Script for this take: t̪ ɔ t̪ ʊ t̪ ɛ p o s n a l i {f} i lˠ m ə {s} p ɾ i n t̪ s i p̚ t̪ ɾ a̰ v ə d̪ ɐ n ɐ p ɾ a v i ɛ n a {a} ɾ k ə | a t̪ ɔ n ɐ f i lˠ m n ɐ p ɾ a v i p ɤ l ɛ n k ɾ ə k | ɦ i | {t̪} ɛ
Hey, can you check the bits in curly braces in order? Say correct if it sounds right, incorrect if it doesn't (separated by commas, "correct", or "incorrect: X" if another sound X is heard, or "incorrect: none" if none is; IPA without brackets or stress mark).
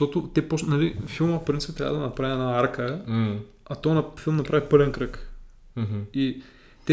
correct, incorrect: f, correct, correct